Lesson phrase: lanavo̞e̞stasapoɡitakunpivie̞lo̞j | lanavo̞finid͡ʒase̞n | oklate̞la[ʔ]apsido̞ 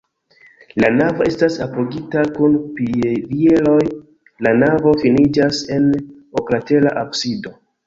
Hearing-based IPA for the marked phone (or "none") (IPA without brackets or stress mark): ʔ